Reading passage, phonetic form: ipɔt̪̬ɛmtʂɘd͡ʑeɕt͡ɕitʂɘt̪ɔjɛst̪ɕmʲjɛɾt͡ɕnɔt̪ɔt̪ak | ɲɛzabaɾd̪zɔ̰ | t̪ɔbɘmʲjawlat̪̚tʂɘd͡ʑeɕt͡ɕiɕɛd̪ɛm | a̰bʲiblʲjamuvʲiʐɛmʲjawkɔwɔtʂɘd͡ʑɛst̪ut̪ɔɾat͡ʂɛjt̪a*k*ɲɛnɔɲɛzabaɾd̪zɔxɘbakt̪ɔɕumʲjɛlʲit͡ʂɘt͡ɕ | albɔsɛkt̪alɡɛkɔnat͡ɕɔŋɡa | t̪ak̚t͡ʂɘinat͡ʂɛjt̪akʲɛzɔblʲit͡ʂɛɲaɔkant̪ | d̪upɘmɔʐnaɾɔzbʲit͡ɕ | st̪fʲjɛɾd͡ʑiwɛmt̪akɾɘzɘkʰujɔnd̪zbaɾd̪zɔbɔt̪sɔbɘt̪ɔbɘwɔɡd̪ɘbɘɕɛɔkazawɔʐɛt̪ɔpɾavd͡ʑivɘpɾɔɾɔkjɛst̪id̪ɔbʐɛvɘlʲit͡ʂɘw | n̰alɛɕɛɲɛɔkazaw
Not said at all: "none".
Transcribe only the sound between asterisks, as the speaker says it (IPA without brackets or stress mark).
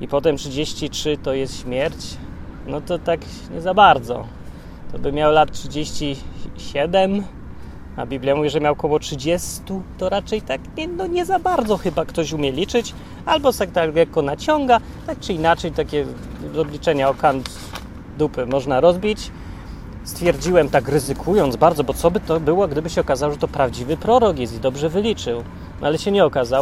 k